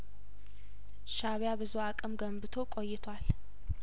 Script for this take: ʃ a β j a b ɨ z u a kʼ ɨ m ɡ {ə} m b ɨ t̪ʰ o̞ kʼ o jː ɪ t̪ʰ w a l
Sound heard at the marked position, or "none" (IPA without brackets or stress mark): ə